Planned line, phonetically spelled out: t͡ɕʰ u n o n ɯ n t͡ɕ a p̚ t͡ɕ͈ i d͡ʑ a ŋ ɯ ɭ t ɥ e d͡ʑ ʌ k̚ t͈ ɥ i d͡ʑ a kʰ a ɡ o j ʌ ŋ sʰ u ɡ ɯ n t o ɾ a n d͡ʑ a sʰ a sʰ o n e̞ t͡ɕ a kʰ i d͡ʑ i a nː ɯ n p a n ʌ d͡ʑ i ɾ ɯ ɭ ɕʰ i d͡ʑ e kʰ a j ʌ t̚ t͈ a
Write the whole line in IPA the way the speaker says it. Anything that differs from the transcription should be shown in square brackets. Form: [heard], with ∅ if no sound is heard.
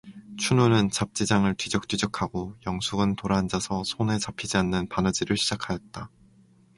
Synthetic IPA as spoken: t͡ɕʰ u n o n ɯ n t͡ɕ a p̚ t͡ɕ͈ i d͡ʑ a ŋ ɯ ɭ t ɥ [i] d͡ʑ ʌ k̚ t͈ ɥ i d͡ʑ [ʌ] kʰ a ɡ o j ʌ ŋ sʰ u ɡ ɯ n t o ɾ a n d͡ʑ a sʰ [ʌ] sʰ o n e̞ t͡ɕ a [pʰ] i d͡ʑ i a nː ɯ n p a n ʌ d͡ʑ i ɾ ɯ ɭ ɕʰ i d͡ʑ [a] kʰ a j ʌ t̚ t͈ a